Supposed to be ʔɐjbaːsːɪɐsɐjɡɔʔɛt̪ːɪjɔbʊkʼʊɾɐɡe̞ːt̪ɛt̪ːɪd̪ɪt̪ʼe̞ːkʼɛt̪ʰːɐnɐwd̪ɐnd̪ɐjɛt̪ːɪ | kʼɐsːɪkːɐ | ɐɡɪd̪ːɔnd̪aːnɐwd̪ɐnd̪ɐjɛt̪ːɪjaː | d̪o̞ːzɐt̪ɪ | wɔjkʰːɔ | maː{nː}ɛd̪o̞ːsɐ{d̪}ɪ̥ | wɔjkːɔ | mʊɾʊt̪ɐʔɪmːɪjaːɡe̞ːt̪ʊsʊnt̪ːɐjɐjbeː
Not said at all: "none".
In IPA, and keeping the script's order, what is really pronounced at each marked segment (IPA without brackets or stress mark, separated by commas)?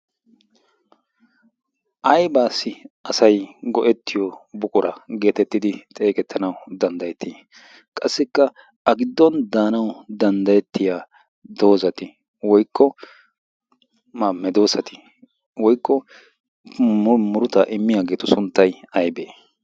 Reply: mː, t̪